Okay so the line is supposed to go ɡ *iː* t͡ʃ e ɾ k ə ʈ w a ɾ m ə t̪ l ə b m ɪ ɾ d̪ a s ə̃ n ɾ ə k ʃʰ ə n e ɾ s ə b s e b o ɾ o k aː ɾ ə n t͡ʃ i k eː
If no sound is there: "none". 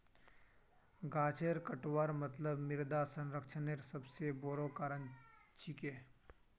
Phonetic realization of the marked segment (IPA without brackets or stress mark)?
aː